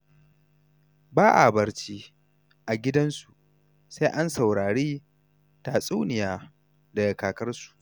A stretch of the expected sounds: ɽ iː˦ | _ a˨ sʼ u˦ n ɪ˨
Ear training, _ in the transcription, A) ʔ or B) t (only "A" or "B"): B